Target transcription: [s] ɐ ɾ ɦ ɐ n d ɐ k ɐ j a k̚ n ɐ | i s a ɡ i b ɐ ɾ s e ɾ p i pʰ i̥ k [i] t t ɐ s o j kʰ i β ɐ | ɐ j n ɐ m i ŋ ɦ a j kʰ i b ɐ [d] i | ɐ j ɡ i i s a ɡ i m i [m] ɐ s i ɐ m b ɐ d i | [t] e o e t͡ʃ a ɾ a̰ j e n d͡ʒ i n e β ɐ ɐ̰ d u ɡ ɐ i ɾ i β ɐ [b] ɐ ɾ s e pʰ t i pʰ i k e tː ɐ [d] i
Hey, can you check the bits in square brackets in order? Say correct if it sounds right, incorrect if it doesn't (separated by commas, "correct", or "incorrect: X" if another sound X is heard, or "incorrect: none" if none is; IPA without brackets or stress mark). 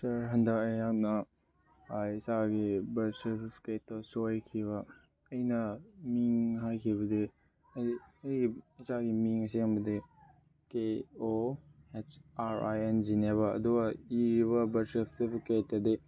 correct, incorrect: e, correct, incorrect: ŋ, incorrect: k, correct, correct